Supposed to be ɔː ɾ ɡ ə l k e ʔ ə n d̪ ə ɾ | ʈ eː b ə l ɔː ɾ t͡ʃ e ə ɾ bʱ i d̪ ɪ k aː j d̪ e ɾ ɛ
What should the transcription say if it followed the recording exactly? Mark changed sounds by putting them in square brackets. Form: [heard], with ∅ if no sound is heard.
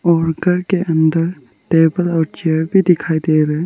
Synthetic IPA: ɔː ɾ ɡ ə [ɾ] k e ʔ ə n d̪ ə ɾ | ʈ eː b ə l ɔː ɾ t͡ʃ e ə ɾ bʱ i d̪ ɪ [kʰ] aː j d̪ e ɾ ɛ